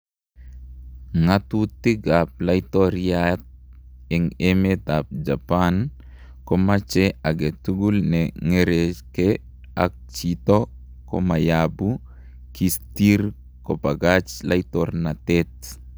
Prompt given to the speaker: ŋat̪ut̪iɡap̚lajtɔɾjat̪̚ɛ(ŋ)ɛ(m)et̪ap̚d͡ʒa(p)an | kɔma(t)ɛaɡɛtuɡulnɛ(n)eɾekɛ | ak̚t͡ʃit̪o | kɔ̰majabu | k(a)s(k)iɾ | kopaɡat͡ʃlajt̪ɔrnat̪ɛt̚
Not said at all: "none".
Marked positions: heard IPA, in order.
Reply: ŋ, m, p, t͡ʃ, ŋ, i, t

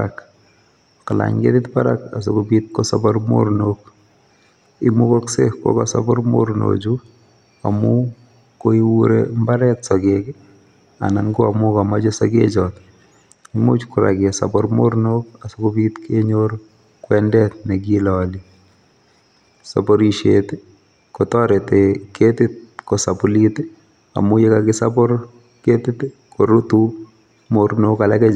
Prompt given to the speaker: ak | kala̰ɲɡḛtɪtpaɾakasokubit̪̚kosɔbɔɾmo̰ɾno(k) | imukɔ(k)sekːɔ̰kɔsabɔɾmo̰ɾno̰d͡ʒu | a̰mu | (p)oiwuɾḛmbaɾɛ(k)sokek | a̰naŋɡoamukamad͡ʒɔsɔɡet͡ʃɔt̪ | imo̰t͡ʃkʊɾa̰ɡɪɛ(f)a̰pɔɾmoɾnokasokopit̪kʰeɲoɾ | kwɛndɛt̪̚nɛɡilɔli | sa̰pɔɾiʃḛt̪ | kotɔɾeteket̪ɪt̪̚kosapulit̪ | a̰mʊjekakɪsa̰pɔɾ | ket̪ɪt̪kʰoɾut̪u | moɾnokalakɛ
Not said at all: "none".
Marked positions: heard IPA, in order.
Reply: k, k, k, t, s

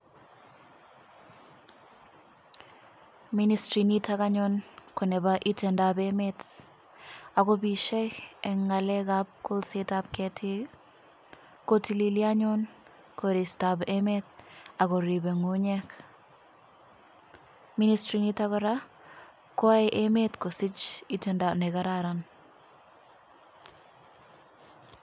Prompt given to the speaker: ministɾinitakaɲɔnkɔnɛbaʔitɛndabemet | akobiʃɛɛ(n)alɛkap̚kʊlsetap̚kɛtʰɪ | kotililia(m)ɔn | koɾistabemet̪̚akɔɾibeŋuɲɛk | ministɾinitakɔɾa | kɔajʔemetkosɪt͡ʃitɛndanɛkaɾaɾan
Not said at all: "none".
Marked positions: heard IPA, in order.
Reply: ŋ, ɲ

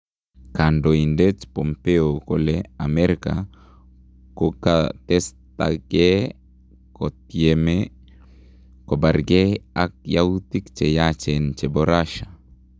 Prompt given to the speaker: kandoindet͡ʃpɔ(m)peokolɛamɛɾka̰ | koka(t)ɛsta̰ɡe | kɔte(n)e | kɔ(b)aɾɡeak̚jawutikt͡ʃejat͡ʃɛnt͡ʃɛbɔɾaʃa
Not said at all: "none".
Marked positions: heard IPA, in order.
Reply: m, t, m, b

